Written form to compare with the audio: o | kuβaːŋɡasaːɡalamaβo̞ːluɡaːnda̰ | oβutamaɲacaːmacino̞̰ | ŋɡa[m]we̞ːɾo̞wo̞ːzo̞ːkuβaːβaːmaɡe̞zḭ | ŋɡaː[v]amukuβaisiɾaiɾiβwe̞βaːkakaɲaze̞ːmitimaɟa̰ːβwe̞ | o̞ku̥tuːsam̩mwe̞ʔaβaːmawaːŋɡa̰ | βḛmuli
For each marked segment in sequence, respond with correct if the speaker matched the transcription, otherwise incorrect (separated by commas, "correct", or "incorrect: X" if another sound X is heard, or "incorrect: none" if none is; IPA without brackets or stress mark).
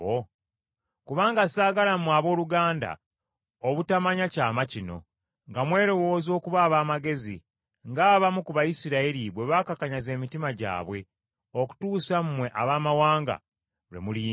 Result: correct, incorrect: β